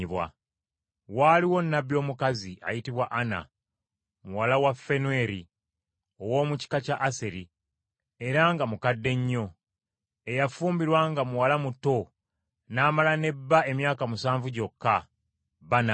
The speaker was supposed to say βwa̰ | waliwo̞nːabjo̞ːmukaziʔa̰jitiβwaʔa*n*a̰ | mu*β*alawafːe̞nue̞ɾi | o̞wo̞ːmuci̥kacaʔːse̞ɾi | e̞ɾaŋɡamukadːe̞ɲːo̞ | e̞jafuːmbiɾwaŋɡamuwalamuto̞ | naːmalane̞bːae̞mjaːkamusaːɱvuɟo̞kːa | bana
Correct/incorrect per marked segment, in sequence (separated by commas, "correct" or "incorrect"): correct, incorrect